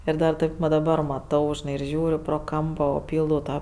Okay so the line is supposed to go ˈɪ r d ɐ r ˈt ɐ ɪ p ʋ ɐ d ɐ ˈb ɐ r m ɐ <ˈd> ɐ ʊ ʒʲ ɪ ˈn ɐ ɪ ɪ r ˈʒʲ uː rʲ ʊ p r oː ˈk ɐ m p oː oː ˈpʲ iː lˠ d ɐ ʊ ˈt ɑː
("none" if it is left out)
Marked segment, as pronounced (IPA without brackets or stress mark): t